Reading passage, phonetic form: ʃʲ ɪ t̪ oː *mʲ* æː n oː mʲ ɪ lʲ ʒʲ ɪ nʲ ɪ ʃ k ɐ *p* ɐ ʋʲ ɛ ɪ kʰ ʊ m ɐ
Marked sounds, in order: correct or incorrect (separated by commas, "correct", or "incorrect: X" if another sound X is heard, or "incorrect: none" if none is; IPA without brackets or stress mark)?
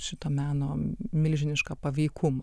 correct, correct